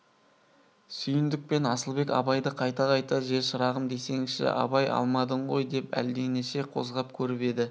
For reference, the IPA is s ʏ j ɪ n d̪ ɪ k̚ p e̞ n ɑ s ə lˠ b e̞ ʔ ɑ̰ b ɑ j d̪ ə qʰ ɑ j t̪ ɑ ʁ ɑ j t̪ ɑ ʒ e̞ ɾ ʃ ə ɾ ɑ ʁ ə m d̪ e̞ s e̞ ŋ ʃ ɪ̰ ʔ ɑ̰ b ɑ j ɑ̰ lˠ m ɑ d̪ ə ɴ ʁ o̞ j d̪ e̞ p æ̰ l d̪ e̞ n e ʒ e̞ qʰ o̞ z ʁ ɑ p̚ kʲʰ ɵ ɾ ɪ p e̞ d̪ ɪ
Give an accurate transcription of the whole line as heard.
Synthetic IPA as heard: s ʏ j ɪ n d̪ ɪ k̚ p e̞ n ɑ s ə lˠ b e̞ k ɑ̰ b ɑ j d̪ ə qʰ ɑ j t̪ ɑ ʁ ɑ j t̪ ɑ ʒ e̞ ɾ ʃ ə ɾ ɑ ʁ ə m d̪ e̞ s e̞ ŋ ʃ ɪ̰ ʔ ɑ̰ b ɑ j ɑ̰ lˠ m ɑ d̪ ə ɴ ʁ o̞ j d̪ e̞ p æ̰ l d̪ e̞ n e ʃ e̞ qʰ o̞ z ʁ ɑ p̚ kʲʰ ɵ ɾ ɪ p e̞ d̪ ɪ